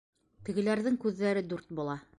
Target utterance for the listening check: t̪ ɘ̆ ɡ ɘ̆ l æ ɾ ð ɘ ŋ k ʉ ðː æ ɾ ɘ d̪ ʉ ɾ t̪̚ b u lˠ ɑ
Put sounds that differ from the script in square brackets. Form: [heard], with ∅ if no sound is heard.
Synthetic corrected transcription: t̪ ɘ̆ ɡ ɘ̆ l æ ɾ ð ɘ ŋ k ʉ ðː æ ɾ ɘ d̪ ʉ ɾ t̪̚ b u lˠ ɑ

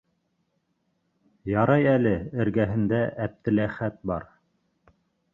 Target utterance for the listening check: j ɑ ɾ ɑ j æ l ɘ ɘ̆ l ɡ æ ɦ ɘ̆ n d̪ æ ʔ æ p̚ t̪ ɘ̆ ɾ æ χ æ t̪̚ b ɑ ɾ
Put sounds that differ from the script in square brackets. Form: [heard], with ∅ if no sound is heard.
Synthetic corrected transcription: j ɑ ɾ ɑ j æ l ɘ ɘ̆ [ɾ] ɡ æ ɦ ɘ̆ n d̪ æ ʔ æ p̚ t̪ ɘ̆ [l] æ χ æ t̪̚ b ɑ ɾ

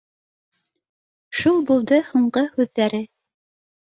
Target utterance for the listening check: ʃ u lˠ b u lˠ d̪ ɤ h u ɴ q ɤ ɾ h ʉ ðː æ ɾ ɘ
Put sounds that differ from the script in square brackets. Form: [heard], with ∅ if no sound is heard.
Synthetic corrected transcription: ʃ u lˠ b u lˠ d̪ ɤ h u ɴ [ɢ] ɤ [∅] h ʉ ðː æ ɾ ɘ

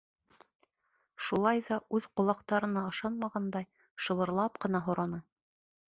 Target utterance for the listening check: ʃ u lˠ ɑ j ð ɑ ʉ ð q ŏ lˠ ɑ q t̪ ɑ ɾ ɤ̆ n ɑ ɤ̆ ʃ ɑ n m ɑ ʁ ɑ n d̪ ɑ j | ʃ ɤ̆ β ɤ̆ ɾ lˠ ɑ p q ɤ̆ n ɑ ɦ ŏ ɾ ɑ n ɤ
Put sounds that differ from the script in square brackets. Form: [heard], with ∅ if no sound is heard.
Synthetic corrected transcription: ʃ u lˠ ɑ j ð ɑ ʉ ð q ŏ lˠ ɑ q t̪ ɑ ɾ ɤ̆ n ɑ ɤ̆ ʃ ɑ n m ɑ ʁ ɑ n d̪ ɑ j | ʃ ɤ̆ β ɤ̆ ɾ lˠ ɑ p q ɤ̆ n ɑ ɦ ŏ ɾ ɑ n ɤ

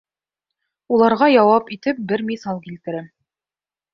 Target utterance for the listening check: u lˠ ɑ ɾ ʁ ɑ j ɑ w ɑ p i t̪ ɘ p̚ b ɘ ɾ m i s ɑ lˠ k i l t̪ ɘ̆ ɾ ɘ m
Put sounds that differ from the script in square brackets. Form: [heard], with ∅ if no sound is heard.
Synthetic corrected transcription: u lˠ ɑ ɾ ʁ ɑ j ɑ w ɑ p i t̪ ɘ p̚ b ɘ ɾ m i s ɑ lˠ k i l t̪ ɘ̆ ɾ ɘ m

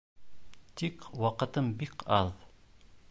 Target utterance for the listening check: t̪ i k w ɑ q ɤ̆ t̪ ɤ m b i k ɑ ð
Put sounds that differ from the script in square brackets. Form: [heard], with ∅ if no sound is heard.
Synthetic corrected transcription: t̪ i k w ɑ q ɤ̆ t̪ ɤ m b i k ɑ ð

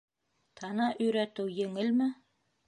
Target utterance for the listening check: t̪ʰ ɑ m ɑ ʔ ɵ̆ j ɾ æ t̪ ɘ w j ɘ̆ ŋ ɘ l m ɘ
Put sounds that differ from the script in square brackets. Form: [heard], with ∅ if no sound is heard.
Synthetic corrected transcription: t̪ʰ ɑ [n] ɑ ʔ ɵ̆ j ɾ æ t̪ ɘ w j ɘ̆ ŋ ɘ l m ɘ

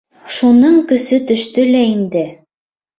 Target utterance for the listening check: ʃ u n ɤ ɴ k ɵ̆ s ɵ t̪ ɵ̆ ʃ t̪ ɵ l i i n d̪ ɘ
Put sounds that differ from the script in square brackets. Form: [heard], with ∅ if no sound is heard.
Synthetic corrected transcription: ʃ u n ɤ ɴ k ɵ̆ s ɵ t̪ ɵ̆ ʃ t̪ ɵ l [æ] i n d̪ ɘ

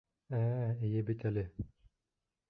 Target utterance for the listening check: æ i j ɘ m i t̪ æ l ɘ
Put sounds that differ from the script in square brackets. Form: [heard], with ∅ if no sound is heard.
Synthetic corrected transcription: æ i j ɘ [b] i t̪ æ l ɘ

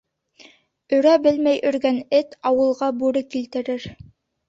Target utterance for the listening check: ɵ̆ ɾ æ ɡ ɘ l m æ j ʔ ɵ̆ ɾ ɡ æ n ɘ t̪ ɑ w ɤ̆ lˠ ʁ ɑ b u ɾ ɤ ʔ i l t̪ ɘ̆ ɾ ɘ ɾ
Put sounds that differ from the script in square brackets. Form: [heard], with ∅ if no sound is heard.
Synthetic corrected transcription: ɵ̆ ɾ æ [b] ɘ l m æ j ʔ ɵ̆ ɾ ɡ æ n ɘ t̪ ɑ w ɤ̆ lˠ ʁ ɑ b u ɾ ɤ [k] i l t̪ ɘ̆ ɾ ɘ ɾ

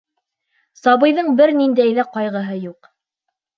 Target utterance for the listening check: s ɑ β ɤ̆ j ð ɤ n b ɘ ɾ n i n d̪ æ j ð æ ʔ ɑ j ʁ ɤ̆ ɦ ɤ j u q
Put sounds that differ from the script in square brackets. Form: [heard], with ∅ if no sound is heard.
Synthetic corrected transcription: s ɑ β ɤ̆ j ð ɤ [ɴ] b ɘ ɾ n i n d̪ æ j ð æ [q] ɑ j ʁ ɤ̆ ɦ ɤ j u q

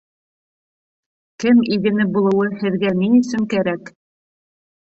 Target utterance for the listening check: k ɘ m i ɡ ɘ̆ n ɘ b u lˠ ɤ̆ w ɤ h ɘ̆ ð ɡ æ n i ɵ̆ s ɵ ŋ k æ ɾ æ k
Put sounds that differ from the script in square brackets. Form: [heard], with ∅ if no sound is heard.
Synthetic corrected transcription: k ɘ m i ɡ ɘ̆ n ɘ b u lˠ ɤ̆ w ɤ h ɘ̆ ð ɡ æ n i ɵ̆ s ɵ ŋ k æ ɾ æ k

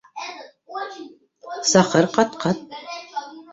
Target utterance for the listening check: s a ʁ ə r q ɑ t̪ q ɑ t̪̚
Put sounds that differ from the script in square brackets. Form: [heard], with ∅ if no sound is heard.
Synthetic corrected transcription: s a [χ] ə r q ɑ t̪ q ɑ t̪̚

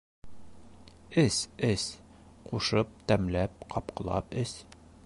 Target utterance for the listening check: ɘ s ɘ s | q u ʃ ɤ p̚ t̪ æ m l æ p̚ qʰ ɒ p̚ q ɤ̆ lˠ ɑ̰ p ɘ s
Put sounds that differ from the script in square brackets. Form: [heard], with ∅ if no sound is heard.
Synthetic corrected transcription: ɘ s ɘ s | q u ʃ ɤ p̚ t̪ æ m l æ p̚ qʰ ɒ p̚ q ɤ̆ lˠ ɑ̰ p ɘ s

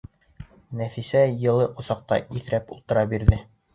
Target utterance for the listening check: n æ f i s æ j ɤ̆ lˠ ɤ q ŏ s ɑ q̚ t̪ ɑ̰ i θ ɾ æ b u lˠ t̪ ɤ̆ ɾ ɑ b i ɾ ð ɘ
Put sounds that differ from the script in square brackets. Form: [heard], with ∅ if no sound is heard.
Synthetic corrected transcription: n æ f i s æ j ɤ̆ lˠ ɤ q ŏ s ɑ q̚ t̪ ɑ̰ i θ ɾ æ [p] u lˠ t̪ ɤ̆ ɾ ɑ b i ɾ ð ɘ

